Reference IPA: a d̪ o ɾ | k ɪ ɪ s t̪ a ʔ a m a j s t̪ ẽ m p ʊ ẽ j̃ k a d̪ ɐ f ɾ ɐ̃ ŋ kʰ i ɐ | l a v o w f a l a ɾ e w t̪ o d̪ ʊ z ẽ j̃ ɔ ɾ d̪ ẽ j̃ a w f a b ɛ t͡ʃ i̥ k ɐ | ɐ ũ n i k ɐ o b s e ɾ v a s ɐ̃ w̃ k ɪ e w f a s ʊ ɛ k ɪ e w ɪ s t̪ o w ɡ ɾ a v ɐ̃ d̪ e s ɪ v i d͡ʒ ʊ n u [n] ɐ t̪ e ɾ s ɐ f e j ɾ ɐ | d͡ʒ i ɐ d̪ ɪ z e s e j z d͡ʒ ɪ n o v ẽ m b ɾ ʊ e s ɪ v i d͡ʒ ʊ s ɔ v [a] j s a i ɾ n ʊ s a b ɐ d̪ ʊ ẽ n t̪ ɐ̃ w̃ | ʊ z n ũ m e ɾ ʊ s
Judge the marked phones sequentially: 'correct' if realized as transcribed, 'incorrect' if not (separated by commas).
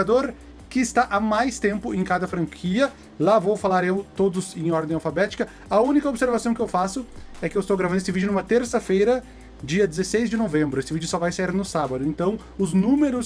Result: incorrect, correct